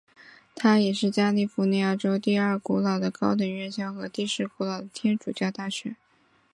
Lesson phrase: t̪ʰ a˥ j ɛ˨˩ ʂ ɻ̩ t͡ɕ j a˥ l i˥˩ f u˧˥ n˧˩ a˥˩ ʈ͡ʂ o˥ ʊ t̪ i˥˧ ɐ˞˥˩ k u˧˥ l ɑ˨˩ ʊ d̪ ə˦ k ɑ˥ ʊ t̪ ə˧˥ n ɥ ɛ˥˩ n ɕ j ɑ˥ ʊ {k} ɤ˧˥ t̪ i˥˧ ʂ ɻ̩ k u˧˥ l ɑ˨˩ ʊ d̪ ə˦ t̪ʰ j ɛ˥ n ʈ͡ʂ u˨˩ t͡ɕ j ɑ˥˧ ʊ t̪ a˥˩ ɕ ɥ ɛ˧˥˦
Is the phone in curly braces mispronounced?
yes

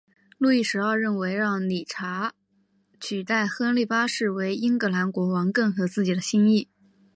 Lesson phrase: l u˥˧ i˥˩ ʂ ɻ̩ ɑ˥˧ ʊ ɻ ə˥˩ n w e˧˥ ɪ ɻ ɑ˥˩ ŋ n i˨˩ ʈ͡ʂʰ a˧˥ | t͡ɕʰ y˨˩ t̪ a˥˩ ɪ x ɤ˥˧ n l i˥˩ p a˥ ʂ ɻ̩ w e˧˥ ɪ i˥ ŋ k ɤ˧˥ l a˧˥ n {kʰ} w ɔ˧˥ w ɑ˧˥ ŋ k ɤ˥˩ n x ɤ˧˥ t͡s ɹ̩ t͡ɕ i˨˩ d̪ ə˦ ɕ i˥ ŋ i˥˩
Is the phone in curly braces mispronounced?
yes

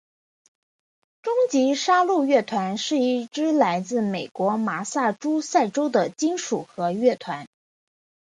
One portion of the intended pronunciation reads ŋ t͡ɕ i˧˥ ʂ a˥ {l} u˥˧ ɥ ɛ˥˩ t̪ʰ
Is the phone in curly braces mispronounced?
no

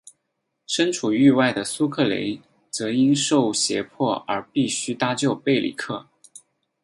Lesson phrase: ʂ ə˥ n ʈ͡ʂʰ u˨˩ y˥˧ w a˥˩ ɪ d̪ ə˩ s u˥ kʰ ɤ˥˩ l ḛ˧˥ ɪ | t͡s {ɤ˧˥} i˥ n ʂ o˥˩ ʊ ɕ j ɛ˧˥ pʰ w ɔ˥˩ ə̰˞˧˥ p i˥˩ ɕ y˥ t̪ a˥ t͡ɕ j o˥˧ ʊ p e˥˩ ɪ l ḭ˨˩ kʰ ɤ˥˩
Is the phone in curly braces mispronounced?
no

